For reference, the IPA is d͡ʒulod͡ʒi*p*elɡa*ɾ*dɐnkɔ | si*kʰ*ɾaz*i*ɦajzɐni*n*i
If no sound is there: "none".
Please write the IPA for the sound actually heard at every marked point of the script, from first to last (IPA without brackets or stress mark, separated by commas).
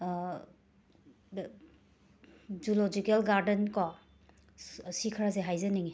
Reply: k, ɾ, kʰ, e, ŋ